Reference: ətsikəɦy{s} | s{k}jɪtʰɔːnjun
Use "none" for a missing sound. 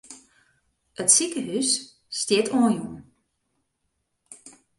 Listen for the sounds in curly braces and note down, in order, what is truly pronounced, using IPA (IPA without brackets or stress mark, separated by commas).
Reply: s, t